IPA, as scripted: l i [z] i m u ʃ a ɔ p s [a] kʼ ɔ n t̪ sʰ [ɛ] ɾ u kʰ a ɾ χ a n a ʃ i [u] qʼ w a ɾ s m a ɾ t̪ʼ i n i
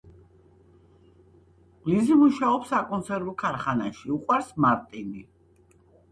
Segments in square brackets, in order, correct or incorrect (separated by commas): correct, correct, correct, correct